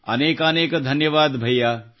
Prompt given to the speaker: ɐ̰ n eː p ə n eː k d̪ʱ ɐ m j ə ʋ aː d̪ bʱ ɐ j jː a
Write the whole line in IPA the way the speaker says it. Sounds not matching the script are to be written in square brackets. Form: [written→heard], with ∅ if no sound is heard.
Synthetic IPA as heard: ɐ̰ n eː [p→k] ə n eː k d̪ʱ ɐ [m→n] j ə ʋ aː d̪ bʱ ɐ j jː a